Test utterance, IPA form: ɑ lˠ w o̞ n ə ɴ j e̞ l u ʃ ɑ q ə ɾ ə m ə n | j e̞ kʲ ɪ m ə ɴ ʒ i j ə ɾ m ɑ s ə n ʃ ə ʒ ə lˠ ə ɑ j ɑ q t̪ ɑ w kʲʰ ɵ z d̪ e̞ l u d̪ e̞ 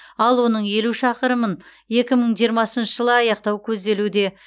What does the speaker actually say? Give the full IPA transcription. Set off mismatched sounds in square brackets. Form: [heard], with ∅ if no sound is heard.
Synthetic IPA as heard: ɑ lˠ w o̞ n ə ɴ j e̞ l u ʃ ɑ q ə ɾ ə m ə n | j e̞ kʲ ɪ m ə ɴ ʒ i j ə ɾ m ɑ s ə n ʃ ə ʒ ə lˠ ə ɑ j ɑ q t̪ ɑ w kʲʰ ɵ z d̪ e̞ l u d̪ e̞